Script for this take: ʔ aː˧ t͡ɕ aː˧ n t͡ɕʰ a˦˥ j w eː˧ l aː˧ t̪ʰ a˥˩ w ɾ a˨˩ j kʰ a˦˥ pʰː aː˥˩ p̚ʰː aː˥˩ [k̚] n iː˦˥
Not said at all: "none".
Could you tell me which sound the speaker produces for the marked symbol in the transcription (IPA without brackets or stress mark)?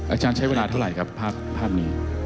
p̚